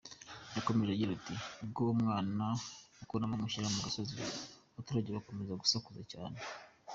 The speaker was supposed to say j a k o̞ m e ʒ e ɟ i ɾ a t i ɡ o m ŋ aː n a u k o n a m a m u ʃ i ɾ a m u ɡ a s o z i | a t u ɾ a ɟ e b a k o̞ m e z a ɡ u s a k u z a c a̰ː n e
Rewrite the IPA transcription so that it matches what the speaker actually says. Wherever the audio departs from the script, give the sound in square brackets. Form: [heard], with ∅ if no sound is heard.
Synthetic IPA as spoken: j a k o̞ m e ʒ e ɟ i ɾ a t i ɡ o m ŋ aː n a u k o n a m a m u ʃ i ɾ a m u ɡ a s o z i | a t u ɾ a ɟ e [β] a k o̞ m e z a ɡ u s a k u z a c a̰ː n e